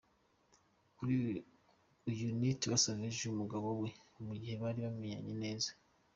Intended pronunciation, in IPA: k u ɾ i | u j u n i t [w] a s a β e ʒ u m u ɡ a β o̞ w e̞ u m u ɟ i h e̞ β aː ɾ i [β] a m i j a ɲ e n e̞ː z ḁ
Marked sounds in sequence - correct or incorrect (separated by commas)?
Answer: incorrect, correct